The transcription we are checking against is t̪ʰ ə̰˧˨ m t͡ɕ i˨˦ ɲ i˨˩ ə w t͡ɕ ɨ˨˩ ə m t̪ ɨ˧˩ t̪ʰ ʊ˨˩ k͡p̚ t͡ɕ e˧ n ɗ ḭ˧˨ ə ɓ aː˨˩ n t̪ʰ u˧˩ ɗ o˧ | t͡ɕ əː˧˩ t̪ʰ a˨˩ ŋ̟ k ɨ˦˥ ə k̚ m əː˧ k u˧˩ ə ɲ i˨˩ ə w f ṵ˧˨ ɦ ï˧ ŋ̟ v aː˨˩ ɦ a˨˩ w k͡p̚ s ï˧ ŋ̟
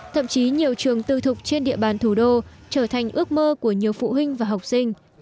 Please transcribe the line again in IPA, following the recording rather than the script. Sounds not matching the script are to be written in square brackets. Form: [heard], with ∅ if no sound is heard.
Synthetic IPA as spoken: t̪ʰ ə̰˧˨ m t͡ɕ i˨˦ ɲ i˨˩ ə w t͡ɕ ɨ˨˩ ə [ŋ] t̪ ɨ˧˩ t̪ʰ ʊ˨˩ k͡p̚ t͡ɕ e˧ n ɗ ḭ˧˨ ə ɓ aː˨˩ n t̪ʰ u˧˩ ɗ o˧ | t͡ɕ əː˧˩ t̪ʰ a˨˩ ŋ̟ [ʔ] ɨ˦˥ ə k̚ m əː˧ k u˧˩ ə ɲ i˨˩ ə w f ṵ˧˨ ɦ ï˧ ŋ̟ v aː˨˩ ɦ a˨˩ w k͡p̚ s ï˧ ŋ̟